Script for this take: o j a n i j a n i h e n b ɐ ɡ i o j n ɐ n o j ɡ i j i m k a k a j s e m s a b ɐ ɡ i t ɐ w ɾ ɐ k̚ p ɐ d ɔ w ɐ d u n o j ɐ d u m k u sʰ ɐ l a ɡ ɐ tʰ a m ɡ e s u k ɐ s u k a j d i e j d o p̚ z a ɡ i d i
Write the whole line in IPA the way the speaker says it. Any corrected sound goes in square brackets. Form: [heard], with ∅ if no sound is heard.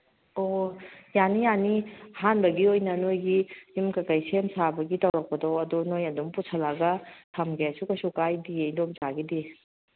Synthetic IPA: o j a n i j a n i h [a] n b ɐ ɡ i o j n ɐ n o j ɡ i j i m k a k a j s e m s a b ɐ ɡ i t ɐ w ɾ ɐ k̚ p ɐ d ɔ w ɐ d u n o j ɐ d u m [p] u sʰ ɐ l a ɡ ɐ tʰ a m ɡ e s u k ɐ s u k a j d i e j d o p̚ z a ɡ i d i